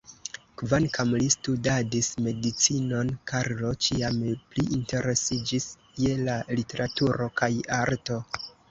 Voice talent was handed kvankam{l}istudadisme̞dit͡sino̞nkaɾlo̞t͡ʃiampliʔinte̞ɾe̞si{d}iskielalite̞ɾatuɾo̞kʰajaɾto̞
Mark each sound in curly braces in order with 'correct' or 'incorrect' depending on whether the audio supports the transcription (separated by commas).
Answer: correct, incorrect